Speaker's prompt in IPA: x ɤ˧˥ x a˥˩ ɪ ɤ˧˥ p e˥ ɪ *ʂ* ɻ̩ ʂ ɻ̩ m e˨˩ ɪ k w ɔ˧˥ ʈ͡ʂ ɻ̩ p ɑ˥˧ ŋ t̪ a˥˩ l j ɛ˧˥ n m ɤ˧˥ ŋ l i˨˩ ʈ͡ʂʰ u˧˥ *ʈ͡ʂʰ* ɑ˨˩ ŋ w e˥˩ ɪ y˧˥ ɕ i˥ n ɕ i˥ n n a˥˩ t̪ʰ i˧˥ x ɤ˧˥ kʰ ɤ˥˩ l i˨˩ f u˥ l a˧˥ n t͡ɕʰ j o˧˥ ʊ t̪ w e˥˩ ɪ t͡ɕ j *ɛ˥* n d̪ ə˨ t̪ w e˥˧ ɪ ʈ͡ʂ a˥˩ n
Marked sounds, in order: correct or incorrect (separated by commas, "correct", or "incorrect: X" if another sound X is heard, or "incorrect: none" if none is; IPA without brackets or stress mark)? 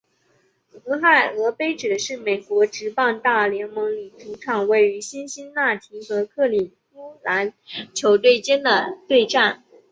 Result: incorrect: ʈ͡ʂ, correct, correct